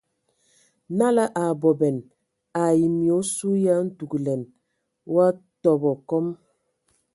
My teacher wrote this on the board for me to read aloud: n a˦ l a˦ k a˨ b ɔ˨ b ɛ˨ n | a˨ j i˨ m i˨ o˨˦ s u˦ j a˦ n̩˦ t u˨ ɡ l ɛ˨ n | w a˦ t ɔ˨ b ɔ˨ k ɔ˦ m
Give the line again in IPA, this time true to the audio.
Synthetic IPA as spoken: n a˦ l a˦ ʔ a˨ b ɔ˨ b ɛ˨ n | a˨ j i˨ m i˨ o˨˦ s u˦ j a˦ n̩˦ t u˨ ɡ l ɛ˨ n | w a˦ t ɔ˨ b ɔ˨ k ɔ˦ m